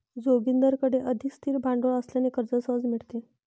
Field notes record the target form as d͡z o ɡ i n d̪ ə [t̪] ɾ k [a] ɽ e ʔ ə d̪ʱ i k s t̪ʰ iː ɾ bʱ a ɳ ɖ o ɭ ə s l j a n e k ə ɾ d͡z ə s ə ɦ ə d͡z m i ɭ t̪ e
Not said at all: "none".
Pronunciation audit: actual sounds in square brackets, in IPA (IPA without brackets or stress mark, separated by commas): none, ə